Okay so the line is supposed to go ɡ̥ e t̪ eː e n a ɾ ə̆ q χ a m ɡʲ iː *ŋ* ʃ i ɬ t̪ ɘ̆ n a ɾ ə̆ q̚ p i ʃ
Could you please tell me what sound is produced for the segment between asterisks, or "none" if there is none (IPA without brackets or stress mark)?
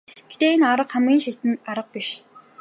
n